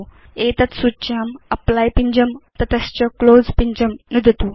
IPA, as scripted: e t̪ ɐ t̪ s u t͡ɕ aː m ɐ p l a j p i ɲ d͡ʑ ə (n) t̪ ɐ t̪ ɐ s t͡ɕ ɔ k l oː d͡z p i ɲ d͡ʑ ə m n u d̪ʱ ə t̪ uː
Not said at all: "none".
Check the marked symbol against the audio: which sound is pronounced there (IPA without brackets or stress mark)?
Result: m